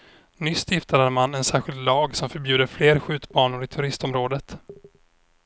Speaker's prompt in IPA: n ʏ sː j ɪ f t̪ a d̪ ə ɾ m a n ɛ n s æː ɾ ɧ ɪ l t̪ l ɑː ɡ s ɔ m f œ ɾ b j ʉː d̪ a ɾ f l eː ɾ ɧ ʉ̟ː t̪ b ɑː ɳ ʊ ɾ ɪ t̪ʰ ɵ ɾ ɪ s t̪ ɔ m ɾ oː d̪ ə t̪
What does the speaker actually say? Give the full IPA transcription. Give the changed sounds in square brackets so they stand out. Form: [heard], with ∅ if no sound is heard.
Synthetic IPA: n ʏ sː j ɪ f t̪ a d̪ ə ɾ m a n ɛ n s æː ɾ ɧ ɪ l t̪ l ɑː ɡ s ɔ m f œ ɾ b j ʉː d̪ [ə] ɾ f l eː ɾ ɧ ʉ̟ː t̪ b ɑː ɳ ʊ ɾ ɪ t̪ʰ ɵ ɾ ɪ s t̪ ɔ m ɾ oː d̪ ə t̪